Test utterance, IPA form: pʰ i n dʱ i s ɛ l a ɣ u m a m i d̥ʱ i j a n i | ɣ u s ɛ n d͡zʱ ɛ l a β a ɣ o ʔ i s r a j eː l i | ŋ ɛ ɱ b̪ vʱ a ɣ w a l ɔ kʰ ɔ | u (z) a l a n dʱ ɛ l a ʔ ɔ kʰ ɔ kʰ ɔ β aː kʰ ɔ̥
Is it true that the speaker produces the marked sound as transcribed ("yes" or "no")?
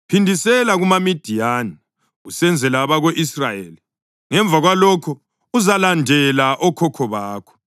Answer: yes